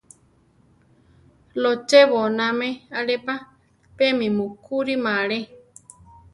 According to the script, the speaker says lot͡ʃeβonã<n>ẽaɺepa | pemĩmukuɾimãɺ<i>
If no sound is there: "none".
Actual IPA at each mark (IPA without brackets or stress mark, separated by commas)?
m, e